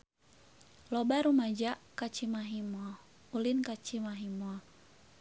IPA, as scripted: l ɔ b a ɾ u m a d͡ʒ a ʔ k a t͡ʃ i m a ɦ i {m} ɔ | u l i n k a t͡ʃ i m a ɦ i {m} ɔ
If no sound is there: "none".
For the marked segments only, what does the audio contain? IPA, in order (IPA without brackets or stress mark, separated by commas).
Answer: m, m